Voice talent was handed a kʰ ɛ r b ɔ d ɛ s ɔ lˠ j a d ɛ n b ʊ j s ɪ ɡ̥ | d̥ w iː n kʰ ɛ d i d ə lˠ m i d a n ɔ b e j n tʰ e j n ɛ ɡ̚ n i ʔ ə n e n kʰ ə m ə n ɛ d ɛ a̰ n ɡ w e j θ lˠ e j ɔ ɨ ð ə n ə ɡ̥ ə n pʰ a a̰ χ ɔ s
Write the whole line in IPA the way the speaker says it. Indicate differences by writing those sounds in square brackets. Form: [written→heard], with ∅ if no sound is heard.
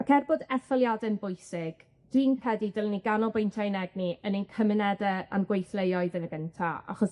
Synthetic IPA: a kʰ ɛ r b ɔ d ɛ [s→θ] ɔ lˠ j a d ɛ n b ʊ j s ɪ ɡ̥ | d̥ w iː n kʰ ɛ d i d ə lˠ [m→n] i [d→ɡ] a n ɔ b e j n tʰ [e→a] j n ɛ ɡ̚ n i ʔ ə n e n kʰ ə m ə n ɛ d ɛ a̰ n ɡ w e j θ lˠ e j ɔ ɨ ð ə n ə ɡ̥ ə n [pʰ→tʰ] a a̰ χ ɔ s